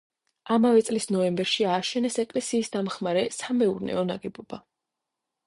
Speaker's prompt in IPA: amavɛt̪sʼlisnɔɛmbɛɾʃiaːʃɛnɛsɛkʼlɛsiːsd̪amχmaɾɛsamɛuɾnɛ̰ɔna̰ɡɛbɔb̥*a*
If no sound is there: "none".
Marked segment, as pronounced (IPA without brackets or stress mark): a